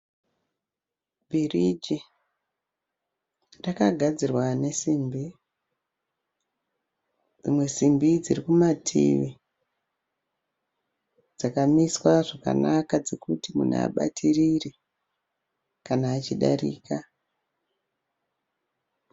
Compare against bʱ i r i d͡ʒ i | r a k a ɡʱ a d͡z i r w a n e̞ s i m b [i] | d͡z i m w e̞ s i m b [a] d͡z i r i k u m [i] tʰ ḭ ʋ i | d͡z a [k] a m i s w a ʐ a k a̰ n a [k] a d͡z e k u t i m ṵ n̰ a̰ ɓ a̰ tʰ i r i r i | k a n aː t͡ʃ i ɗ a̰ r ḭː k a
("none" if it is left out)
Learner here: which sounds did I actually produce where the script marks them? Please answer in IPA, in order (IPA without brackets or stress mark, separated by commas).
i, i, a, k, k